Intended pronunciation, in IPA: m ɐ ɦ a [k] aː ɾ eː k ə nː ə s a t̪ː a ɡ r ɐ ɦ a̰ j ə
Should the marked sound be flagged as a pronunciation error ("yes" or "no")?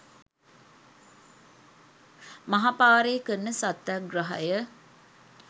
yes